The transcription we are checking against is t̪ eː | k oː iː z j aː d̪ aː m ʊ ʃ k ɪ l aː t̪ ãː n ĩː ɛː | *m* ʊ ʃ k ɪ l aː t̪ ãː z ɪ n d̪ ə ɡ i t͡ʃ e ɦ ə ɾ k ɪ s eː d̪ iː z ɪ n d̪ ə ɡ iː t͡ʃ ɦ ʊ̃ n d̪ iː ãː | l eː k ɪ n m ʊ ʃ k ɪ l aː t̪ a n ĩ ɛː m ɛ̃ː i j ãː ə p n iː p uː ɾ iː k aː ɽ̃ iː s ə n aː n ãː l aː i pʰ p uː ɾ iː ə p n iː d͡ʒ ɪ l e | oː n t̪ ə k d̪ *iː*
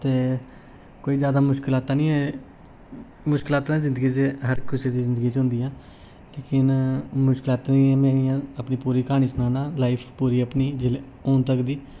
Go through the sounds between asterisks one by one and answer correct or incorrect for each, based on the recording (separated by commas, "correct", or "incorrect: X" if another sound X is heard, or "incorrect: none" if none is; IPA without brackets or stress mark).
correct, correct